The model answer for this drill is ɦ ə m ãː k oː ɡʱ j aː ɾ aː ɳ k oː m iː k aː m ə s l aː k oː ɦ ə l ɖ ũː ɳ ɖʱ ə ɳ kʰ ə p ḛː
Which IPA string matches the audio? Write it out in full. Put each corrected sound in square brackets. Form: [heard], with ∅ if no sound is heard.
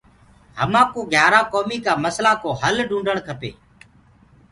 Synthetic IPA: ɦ ə m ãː k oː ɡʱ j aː ɾ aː [∅] k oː m iː k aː m ə s l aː k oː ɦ ə l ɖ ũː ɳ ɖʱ ə ɳ kʰ ə p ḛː